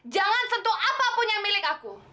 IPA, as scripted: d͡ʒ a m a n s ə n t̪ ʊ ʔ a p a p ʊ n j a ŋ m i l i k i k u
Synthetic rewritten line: d͡ʒ a ŋ a n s ə n t̪ u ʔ a p a p ʊ n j a ŋ m i l ɪ k a k u

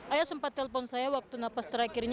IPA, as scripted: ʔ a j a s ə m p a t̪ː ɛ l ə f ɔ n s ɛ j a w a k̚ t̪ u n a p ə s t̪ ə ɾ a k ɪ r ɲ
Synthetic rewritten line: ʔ a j a s ə m p a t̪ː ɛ l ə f ɔ n s a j a w a k̚ t̪ u n a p a s t̪ ə ɾ a k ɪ r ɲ

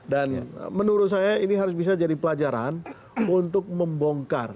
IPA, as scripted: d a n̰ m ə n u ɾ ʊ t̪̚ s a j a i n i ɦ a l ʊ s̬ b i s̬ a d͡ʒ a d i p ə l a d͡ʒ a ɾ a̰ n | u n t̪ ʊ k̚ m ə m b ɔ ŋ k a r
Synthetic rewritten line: d a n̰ m ə n u ɾ ʊ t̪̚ s a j a i n i ɦ a ɾ ʊ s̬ b i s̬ a d͡ʒ a d i p ə l a d͡ʒ a ɾ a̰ n | u n t̪ ʊ k̚ m ə m b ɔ ŋ k a r

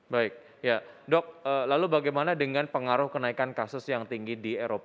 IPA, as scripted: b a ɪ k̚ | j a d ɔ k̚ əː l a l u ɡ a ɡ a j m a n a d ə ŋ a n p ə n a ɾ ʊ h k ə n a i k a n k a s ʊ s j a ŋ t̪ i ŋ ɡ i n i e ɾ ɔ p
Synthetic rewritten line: b a ɪ k̚ | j a d ɔ k̚ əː l a l u b a ɡ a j m a n a d ə ŋ a n p ə ŋ a ɾ ʊ h k ə n a i k a n k a s ʊ s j a ŋ t̪ i ŋ ɡ i d i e ɾ o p

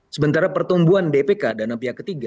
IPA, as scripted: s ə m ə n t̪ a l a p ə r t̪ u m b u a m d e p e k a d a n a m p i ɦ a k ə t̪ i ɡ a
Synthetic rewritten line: s ə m ə n t̪ a ɾ a p ə r t̪ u m b u a n d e p e k a d a n a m p i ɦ a k ə t̪ i ɡ a

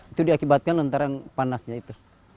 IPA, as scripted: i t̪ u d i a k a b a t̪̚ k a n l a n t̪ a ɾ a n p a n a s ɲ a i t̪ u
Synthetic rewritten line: i t̪ u d i a k i b a t̪̚ k a n l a n t̪ a ɾ a n p a n a s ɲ a i t̪ u

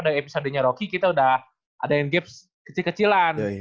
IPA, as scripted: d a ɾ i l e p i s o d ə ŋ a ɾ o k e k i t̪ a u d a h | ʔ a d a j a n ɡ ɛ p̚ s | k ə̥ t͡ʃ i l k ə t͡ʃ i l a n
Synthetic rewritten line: d a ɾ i e p i s o d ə ɲ a ɾ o k i k i t̪ a u d a h | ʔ a d a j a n ɡ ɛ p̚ s | k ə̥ t͡ʃ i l k ə t͡ʃ i l a n

